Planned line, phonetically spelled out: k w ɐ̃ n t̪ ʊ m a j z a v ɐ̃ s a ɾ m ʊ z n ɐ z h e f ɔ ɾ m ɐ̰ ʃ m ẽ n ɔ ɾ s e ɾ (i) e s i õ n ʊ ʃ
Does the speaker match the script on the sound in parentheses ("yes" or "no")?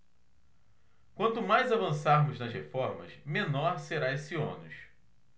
no